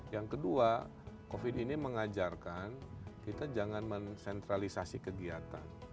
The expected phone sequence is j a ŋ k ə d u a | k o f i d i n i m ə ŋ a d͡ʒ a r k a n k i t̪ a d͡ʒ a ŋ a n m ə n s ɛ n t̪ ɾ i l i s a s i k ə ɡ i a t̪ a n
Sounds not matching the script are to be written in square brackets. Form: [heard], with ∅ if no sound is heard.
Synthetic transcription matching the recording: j a ŋ k ə d u a | k o f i d i n i m ə ŋ a d͡ʒ a r k a n k i t̪ a d͡ʒ a ŋ a n m ə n s ɛ n t̪ ɾ [a] l i s a s i k ə ɡ i a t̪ a n